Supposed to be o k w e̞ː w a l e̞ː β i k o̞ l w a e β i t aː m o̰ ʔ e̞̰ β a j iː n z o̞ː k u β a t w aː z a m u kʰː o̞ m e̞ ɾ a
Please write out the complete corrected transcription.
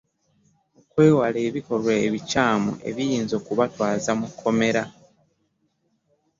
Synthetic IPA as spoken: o k w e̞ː w a l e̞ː β i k o̞ l w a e β i c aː m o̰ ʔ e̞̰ β i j iː n z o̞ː k u β a t w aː z a m u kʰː o̞ m e̞ ɾ a